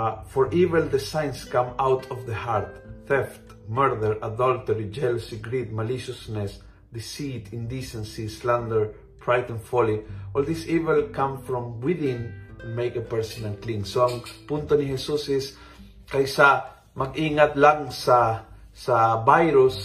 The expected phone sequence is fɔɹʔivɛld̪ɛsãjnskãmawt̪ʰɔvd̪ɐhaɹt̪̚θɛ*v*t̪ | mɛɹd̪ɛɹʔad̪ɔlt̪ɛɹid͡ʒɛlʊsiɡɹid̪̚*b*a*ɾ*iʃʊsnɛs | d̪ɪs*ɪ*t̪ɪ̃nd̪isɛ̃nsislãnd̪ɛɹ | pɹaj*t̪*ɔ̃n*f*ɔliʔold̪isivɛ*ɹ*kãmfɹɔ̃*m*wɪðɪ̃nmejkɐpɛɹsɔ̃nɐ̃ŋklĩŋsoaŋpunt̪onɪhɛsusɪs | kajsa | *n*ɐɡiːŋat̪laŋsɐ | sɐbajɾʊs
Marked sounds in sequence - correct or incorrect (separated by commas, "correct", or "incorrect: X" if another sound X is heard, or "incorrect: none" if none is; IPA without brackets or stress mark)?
incorrect: f, incorrect: m, incorrect: l, incorrect: i, correct, correct, incorrect: l, correct, incorrect: m